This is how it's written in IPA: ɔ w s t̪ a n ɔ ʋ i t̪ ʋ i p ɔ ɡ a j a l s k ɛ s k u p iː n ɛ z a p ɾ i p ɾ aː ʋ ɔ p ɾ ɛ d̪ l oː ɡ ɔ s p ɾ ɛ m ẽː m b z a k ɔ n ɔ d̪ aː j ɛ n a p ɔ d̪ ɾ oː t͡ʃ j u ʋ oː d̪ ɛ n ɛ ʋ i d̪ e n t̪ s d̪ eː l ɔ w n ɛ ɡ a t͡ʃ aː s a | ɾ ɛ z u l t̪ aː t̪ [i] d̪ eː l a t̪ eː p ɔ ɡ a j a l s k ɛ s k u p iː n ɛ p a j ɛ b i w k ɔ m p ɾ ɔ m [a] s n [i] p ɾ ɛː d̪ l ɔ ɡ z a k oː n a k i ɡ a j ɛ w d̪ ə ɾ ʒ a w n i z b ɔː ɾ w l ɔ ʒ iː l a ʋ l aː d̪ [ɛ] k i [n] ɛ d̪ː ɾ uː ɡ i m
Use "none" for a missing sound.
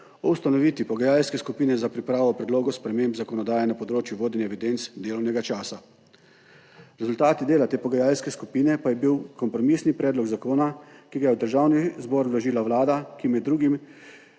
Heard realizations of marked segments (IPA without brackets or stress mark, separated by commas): i, i, i, a, m